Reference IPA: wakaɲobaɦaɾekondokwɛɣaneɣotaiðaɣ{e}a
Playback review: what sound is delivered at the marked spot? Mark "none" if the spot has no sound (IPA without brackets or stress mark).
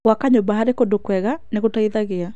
e